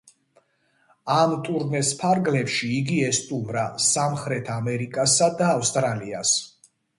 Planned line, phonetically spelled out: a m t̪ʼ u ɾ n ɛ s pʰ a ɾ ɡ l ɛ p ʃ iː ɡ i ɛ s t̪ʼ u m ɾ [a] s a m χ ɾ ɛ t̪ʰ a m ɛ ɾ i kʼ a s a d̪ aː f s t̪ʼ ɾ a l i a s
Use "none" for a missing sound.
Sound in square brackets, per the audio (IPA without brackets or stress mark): a